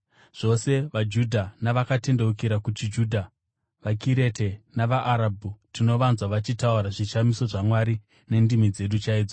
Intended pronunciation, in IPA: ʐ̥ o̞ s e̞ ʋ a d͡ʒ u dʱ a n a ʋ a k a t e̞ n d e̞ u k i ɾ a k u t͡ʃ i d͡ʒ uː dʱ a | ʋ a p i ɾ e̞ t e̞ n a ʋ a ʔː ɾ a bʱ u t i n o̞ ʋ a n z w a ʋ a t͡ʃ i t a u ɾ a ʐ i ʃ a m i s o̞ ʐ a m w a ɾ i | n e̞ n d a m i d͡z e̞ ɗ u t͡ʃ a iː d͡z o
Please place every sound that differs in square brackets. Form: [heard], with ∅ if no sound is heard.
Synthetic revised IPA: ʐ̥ o̞ s e̞ ʋ a d͡ʒ u dʱ a n a ʋ a k a t e̞ n d e̞ u k i ɾ a k u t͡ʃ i d͡ʒ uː dʱ a | ʋ a [k] i ɾ e̞ t e̞ n a ʋ a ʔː ɾ a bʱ u t i n o̞ ʋ a n z w a ʋ a t͡ʃ i t a u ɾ a ʐ i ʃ a m i s o̞ ʐ a m w a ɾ i | n e̞ n d [i] m i d͡z e̞ ɗ u t͡ʃ a iː d͡z o